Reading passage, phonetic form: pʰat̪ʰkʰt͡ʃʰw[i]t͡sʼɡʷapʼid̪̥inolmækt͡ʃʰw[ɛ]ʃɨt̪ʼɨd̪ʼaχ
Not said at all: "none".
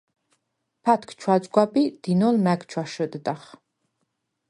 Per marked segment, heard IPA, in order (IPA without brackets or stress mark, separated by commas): a, a